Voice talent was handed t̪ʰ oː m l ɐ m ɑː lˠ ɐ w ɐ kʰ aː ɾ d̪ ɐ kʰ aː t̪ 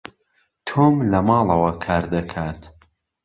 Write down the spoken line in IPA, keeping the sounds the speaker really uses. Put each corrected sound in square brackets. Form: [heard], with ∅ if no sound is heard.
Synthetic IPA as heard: t̪ʰ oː m l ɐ m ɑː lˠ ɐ w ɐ kʰ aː ɾ d̪ ɐ kʰ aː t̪